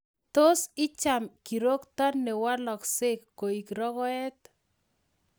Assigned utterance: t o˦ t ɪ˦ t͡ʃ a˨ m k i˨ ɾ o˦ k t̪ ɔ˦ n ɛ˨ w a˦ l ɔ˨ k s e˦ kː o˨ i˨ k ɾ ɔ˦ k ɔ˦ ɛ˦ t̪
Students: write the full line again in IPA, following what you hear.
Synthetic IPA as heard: t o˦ s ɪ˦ t͡ʃ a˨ m k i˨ ɾ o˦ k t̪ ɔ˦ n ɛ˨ w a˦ l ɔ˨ k s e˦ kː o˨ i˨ k ɾ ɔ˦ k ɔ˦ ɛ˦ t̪